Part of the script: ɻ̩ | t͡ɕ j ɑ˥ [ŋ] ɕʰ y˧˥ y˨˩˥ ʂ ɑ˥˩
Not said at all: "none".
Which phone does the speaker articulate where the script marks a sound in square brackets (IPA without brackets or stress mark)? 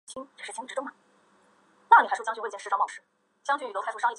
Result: ŋ